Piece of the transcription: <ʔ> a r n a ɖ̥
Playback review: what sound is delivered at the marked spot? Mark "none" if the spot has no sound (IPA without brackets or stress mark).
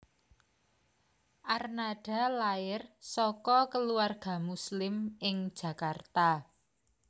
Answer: ʔ